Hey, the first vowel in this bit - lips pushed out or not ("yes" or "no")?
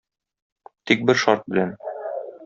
no